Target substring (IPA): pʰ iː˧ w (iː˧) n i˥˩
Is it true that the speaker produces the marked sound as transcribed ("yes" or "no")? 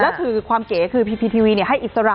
yes